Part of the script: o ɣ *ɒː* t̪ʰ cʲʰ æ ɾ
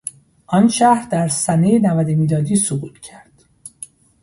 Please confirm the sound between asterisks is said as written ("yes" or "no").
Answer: no